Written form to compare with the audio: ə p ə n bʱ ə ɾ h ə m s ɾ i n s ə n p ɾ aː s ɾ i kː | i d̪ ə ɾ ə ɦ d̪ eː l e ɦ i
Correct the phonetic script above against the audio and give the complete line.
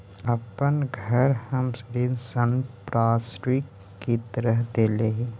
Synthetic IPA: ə p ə n ɡʱ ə ɾ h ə m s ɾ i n s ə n p ɾ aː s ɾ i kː | i t̪ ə ɾ ə ɦ d̪ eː l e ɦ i